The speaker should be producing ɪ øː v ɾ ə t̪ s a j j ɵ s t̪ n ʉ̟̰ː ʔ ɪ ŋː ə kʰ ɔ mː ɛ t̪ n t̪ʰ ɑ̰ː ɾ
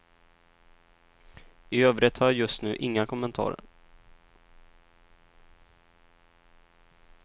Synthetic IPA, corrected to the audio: ɪ øː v ɾ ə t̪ h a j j ɵ s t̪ n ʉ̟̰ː ʔ ɪ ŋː a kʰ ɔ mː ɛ n t̪ʰ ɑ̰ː ɾ